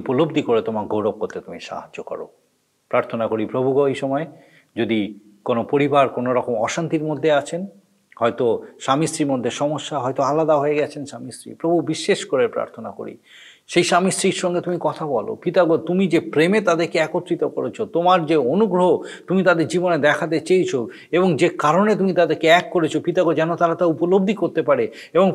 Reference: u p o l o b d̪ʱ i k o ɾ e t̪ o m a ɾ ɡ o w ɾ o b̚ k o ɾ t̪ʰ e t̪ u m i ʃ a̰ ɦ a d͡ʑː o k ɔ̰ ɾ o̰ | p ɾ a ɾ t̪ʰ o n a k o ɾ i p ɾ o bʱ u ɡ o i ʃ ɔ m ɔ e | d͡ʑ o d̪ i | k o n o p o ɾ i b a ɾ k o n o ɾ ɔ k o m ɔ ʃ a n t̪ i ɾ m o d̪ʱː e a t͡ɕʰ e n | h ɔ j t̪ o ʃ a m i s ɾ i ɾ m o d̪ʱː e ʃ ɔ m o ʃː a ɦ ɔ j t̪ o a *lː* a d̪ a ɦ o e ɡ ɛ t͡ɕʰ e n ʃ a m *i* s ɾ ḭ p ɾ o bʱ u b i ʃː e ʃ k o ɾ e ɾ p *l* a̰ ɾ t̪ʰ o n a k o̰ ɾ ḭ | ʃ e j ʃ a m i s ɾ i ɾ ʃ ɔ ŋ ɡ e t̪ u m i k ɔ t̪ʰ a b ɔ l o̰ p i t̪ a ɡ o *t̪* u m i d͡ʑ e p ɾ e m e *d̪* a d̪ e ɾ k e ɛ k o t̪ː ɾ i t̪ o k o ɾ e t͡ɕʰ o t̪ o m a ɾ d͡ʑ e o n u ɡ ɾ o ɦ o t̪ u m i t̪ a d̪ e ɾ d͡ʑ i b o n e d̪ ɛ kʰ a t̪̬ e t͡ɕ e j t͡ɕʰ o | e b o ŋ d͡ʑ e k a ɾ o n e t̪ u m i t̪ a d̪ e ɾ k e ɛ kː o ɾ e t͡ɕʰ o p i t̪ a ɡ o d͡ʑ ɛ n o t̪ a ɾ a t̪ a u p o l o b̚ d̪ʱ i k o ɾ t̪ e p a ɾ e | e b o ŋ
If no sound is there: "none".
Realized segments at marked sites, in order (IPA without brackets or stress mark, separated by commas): l, i, ɾ, t̪, t̪